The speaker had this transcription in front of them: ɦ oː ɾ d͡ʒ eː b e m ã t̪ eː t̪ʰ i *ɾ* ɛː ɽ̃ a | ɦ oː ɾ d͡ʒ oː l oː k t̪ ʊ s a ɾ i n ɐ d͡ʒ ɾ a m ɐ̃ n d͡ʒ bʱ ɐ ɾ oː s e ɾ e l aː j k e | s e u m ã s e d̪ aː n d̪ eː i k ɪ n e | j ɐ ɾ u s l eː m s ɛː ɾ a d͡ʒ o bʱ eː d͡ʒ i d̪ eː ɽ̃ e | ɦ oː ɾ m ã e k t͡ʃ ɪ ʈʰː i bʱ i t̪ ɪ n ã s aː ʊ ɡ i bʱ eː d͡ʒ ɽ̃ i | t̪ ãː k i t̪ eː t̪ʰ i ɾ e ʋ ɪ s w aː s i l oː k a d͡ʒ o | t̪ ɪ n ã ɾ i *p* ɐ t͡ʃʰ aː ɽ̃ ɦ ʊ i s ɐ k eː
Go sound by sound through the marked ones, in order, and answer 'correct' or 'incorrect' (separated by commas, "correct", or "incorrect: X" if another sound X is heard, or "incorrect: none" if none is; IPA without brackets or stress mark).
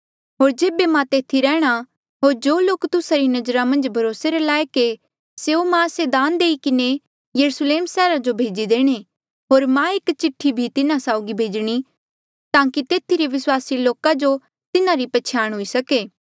correct, correct